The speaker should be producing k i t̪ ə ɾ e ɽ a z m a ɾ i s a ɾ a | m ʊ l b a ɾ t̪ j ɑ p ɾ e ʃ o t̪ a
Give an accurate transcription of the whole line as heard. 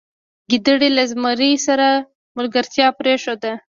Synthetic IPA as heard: ɡ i d̪ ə ɽ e l a z m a ɾ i s a ɾ a | m ʊ l ɡ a ɾ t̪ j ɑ p ɾ e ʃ o d̪ a